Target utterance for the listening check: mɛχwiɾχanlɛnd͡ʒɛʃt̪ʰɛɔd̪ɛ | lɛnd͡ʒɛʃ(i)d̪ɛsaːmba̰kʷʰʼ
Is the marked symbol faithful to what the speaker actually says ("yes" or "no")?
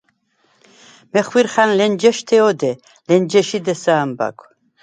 yes